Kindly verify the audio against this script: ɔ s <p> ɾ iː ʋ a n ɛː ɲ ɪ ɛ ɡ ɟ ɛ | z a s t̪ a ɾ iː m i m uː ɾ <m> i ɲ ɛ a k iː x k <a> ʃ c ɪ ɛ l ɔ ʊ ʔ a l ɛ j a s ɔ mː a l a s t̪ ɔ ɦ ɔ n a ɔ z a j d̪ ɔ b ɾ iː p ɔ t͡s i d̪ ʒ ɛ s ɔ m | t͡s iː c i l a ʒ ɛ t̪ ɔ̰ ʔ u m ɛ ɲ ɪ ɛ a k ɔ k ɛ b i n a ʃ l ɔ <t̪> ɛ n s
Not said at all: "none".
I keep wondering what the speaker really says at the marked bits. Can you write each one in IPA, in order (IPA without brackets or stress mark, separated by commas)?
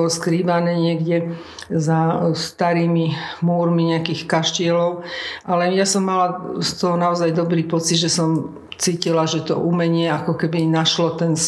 k, m, a, t̪